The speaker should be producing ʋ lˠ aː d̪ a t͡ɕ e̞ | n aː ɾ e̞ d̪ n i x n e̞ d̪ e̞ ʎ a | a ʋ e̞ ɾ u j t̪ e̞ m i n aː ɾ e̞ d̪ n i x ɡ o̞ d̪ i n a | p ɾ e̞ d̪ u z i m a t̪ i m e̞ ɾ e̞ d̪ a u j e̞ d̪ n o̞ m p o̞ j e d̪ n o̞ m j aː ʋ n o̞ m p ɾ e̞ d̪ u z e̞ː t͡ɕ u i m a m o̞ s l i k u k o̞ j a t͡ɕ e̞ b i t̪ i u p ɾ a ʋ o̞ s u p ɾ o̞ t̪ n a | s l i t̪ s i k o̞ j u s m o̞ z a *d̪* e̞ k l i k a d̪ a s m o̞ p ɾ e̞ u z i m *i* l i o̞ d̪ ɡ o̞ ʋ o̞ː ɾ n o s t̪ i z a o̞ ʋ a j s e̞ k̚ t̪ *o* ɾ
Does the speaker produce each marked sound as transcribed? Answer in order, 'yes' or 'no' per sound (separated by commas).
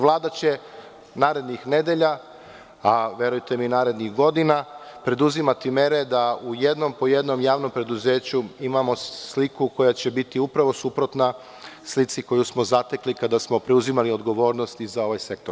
no, no, yes